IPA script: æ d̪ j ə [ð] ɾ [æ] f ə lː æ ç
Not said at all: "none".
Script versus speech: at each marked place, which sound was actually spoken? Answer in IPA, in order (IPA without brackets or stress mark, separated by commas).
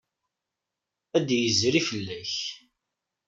z, i